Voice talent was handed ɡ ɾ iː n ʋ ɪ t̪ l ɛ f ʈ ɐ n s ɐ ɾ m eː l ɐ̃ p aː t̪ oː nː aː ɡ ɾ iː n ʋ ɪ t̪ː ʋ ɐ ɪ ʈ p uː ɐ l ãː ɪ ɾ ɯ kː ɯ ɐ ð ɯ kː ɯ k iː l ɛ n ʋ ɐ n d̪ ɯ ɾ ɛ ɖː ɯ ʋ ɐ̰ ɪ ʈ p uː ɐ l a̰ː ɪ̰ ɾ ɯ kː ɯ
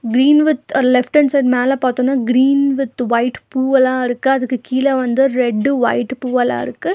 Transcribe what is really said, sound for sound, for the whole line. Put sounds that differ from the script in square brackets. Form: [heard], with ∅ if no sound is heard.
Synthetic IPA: ɡ ɾ iː n ʋ ɪ t̪ l ɛ f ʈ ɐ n s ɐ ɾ m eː l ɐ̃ p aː t̪ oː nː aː ɡ ɾ iː n ʋ ɪ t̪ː ʋ ɐ ɪ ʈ p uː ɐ l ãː ɪ ɾ ɯ kː ɯ ɐ ð ɯ kː ɯ k iː l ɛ [∅] ʋ ɐ n d̪ ɯ ɾ ɛ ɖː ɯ ʋ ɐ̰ ɪ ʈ p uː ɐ l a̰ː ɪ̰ ɾ ɯ kː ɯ